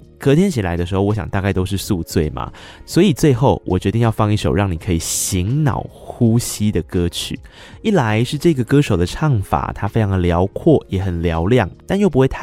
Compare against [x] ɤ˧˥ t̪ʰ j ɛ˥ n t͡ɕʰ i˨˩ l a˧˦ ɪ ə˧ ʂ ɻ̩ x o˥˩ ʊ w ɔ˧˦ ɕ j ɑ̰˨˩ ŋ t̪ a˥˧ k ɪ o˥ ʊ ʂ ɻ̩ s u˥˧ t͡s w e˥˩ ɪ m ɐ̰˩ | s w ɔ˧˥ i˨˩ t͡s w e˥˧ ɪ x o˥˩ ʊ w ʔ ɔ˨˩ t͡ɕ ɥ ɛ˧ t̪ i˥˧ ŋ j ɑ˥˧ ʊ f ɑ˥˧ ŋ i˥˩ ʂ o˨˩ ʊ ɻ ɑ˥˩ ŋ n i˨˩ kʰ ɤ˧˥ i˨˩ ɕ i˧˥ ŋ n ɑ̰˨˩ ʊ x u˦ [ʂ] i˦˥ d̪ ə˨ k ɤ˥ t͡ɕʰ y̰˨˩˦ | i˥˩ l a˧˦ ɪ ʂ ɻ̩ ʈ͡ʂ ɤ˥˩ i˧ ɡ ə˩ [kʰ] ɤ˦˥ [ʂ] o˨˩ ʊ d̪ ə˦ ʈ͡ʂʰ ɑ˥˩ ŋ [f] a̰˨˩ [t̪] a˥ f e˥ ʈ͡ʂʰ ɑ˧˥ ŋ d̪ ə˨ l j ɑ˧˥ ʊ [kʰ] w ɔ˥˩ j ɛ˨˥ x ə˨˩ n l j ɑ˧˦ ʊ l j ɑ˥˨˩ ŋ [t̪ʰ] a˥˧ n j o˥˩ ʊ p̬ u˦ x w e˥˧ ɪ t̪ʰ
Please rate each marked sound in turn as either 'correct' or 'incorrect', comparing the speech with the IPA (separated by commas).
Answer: incorrect, incorrect, incorrect, correct, correct, incorrect, correct, incorrect